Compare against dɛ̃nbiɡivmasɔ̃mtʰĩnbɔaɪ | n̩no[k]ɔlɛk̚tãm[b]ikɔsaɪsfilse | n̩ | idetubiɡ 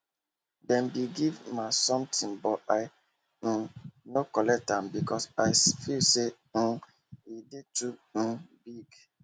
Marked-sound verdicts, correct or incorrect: correct, correct

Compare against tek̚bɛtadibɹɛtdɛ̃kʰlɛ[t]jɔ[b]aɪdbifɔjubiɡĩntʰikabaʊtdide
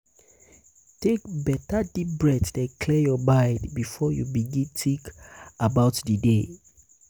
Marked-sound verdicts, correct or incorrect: incorrect, correct

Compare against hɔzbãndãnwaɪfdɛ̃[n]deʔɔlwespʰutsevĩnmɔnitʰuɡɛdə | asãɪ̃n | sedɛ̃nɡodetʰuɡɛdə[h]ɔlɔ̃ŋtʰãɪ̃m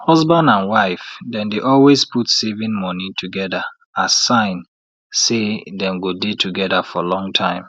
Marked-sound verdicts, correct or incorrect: correct, incorrect

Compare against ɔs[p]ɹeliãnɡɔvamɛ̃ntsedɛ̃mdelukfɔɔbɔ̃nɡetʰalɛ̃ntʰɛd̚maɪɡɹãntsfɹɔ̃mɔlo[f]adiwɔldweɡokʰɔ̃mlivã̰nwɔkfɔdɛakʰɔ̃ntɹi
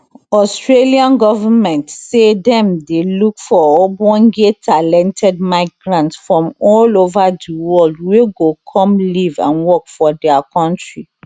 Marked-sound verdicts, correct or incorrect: incorrect, incorrect

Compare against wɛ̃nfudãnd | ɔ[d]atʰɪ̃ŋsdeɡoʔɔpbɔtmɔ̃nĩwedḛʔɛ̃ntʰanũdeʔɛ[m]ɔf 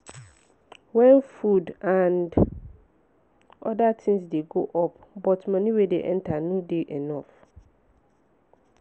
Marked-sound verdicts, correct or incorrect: correct, incorrect

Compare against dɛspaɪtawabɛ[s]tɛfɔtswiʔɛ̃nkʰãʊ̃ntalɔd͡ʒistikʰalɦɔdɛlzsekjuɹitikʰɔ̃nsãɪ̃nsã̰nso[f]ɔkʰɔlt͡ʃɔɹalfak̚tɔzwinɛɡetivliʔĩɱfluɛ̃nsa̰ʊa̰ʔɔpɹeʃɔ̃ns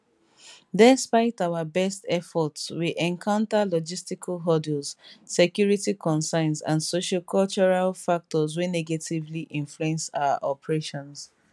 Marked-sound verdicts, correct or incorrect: correct, incorrect

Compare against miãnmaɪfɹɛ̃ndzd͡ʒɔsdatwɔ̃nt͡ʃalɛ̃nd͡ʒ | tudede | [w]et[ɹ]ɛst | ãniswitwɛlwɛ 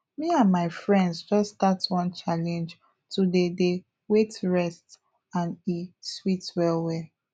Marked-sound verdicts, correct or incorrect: correct, correct

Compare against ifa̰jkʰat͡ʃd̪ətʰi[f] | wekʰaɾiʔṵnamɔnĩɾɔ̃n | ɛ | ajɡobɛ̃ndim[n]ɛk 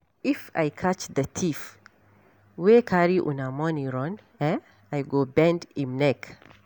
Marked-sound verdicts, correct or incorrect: correct, correct

